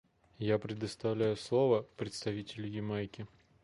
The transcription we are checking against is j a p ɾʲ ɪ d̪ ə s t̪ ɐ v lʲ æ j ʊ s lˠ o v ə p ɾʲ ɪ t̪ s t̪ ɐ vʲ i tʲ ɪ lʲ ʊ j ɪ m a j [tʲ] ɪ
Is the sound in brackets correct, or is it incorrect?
incorrect: kʲ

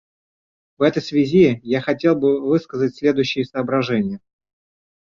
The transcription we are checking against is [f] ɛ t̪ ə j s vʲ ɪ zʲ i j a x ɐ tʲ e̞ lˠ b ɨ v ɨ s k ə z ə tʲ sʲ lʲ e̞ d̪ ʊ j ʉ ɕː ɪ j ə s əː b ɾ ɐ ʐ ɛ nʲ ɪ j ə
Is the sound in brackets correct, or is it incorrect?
incorrect: v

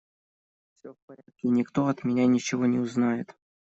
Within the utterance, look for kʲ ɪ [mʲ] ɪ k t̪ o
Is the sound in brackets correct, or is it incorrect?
incorrect: nʲ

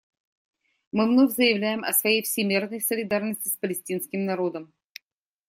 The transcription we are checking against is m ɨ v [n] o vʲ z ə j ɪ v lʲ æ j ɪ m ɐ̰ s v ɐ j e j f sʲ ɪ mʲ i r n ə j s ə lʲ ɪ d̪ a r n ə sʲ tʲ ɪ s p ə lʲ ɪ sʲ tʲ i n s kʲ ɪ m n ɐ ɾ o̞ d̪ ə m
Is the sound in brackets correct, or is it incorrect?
correct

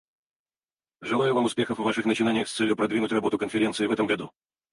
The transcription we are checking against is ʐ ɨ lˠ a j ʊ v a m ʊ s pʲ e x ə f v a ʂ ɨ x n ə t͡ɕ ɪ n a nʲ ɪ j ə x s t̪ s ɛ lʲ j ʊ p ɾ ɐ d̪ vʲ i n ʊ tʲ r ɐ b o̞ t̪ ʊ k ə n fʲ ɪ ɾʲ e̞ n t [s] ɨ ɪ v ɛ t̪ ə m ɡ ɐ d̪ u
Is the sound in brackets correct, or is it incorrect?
correct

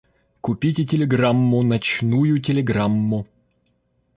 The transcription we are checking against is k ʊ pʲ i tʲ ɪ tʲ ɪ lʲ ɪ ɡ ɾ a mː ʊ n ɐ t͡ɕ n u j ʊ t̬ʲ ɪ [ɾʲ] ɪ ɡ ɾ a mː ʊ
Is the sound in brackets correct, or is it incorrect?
incorrect: lʲ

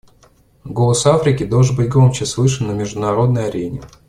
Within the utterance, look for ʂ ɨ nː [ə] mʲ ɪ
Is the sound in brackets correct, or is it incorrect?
correct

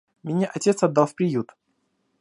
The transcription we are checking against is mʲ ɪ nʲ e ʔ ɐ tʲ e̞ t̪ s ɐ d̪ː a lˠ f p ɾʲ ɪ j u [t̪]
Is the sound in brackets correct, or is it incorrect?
correct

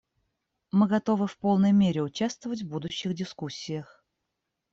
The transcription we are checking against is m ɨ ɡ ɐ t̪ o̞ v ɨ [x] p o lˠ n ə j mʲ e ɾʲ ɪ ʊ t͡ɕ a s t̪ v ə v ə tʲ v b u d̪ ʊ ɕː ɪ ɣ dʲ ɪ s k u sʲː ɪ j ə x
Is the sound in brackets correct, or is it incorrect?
incorrect: f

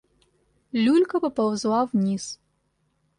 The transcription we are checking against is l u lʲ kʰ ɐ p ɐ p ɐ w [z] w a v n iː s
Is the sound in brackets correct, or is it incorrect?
correct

